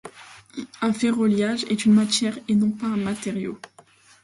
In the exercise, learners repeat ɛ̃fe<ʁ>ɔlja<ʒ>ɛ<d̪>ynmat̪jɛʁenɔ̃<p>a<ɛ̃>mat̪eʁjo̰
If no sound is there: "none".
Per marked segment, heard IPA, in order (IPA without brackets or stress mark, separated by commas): ʁ, ʒ, t̪, p, ɛ̃